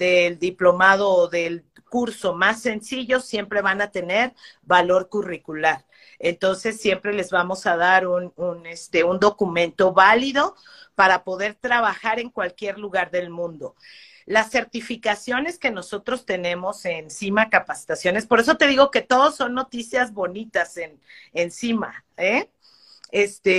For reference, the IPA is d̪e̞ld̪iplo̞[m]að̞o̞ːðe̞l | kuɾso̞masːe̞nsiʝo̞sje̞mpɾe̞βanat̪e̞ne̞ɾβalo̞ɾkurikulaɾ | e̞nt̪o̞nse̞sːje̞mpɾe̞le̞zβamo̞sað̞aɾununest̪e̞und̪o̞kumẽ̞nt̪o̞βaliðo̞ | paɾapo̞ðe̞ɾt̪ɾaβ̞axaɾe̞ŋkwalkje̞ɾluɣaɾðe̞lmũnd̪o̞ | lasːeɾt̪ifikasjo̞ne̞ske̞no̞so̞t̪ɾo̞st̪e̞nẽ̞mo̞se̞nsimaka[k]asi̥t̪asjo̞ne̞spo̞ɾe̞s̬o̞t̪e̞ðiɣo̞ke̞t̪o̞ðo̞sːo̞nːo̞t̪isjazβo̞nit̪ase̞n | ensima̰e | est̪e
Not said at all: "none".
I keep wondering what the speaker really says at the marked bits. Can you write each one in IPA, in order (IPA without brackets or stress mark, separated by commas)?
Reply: m, p